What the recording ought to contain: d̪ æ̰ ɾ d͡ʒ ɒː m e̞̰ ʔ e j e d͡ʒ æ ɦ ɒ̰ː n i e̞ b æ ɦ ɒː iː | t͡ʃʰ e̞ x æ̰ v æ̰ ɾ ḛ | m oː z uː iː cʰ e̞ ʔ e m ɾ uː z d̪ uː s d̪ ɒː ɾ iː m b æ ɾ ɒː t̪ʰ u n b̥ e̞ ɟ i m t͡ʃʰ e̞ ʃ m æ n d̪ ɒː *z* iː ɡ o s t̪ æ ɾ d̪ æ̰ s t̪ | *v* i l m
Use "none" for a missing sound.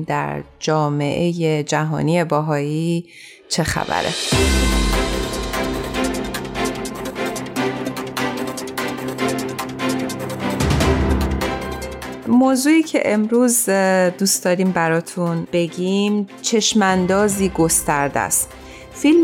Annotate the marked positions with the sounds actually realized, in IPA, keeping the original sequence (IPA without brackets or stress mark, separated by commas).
z, f